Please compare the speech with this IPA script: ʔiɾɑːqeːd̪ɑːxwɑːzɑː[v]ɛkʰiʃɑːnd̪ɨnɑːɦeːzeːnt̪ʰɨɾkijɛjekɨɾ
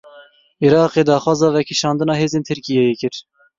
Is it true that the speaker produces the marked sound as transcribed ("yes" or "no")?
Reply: yes